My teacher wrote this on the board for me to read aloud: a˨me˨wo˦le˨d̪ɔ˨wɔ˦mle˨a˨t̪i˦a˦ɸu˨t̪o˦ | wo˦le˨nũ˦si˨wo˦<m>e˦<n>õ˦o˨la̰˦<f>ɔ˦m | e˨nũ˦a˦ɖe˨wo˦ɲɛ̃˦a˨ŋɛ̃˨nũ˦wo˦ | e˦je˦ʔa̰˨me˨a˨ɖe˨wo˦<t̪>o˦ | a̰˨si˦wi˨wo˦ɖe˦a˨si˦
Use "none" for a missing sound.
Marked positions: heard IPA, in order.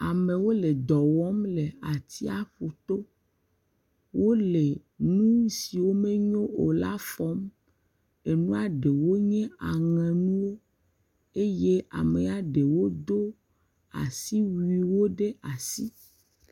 m, ɲ, f, d̪

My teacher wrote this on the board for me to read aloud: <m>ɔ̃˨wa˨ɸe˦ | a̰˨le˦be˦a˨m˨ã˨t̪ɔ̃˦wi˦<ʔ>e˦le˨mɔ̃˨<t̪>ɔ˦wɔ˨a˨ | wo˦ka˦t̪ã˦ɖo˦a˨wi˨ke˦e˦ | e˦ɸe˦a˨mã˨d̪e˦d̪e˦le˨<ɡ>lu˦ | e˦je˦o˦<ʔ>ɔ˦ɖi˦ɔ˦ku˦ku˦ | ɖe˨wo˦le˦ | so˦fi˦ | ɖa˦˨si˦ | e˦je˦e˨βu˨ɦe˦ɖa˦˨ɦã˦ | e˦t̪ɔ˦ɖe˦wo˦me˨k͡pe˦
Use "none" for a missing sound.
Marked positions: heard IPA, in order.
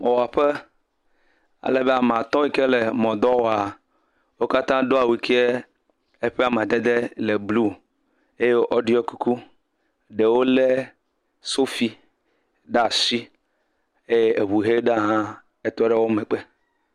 m, k, d̪, b, ʔ

